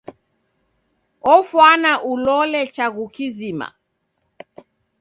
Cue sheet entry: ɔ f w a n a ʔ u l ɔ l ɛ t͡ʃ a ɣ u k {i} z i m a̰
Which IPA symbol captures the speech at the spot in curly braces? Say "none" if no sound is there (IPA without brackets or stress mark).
i